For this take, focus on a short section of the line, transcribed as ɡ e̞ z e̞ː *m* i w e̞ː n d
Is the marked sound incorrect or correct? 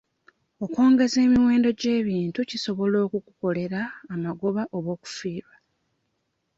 correct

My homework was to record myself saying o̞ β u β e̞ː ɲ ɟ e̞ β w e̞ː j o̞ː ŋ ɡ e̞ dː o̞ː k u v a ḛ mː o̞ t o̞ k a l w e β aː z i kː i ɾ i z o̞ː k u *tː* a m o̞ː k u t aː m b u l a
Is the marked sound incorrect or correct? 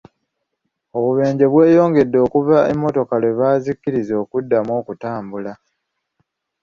incorrect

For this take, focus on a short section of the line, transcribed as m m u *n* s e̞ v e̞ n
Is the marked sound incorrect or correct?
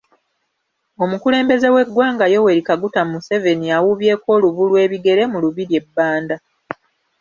incorrect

